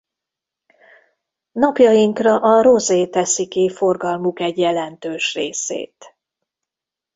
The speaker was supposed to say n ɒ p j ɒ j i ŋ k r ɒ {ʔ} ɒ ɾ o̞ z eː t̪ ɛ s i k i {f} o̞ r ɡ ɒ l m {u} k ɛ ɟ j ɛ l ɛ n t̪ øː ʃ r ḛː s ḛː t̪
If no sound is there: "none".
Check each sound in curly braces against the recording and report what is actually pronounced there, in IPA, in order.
ʔ, f, u

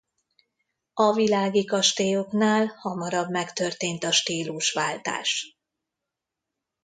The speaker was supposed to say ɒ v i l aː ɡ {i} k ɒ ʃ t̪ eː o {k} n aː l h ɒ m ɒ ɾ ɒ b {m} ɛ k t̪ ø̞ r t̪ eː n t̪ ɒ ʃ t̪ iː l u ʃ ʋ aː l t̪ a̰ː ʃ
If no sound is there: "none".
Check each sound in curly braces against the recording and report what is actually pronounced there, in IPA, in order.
i, k, m

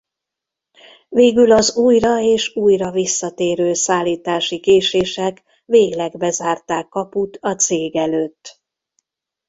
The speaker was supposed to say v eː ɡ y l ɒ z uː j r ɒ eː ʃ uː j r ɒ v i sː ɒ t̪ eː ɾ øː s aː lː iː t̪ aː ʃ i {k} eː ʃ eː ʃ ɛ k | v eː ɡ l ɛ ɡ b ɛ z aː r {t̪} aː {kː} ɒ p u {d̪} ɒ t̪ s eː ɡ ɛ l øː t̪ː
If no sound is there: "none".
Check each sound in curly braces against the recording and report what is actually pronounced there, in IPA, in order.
k, t̪, kː, t̪

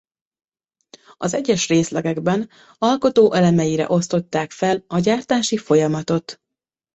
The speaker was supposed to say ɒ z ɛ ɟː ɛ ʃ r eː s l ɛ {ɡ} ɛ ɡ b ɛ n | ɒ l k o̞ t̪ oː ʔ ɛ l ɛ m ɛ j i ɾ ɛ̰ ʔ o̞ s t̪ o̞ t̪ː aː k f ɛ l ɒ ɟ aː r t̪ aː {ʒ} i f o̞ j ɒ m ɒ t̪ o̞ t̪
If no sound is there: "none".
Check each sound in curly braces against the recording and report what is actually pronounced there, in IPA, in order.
ɡ, ʃ

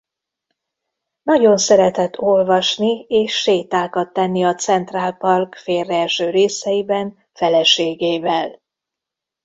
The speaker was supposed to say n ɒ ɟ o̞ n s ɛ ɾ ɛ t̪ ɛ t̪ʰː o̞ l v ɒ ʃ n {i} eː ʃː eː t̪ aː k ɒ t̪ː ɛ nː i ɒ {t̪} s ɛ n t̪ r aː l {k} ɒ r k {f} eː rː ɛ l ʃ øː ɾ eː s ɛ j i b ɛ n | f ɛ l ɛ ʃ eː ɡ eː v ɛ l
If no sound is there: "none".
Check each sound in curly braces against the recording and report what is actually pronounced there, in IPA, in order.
i, t̪, p, f

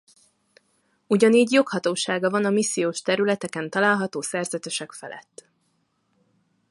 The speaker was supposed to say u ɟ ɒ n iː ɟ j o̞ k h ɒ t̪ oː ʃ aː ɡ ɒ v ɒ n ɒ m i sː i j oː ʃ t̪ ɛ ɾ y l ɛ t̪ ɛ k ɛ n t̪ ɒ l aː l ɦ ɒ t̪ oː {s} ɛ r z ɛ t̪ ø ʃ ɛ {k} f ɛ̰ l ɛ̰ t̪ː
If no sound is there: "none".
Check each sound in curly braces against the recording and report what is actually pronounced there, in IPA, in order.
s, k

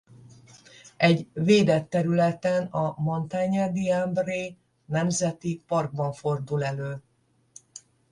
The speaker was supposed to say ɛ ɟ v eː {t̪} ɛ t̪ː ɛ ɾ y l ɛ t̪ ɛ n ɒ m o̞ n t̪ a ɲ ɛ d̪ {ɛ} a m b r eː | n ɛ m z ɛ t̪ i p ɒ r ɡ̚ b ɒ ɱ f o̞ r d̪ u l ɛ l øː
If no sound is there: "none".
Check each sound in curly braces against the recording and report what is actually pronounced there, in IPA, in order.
d̪, i

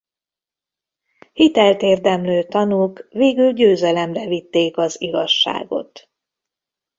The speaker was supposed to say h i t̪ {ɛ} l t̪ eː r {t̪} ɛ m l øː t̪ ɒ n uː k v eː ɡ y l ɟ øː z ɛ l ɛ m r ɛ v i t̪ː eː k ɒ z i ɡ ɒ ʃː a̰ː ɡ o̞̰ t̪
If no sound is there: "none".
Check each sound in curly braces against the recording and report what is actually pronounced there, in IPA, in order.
ɛ, d̪

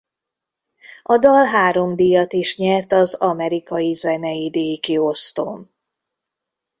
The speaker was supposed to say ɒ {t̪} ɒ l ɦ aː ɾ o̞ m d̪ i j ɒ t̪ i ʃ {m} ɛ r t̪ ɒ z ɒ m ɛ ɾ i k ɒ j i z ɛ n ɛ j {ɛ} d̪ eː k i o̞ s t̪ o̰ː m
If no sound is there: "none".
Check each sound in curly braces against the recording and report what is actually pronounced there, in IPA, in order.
d̪, ɲ, i

